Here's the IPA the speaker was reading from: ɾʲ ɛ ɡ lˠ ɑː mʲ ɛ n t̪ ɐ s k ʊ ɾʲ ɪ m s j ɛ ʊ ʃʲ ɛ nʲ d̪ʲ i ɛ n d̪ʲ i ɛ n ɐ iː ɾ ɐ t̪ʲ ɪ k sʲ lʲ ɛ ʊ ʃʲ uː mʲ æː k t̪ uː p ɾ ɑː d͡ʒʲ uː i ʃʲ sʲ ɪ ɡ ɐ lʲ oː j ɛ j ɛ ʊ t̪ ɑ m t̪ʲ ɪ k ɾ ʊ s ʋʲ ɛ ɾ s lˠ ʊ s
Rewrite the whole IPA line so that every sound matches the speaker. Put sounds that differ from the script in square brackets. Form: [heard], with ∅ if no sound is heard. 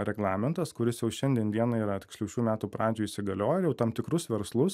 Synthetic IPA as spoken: ɾʲ ɛ ɡ lˠ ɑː mʲ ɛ n t̪ ɐ s k ʊ ɾʲ ɪ [∅] s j ɛ ʊ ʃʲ ɛ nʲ d̪ʲ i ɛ n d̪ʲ i ɛ n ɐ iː ɾ ɐ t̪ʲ ɪ k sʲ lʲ ɛ ʊ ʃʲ uː mʲ æː [∅] t̪ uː p ɾ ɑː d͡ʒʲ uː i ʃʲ sʲ ɪ ɡ ɐ lʲ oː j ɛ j ɛ ʊ t̪ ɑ m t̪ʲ ɪ k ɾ ʊ s ʋʲ ɛ ɾ s lˠ ʊ s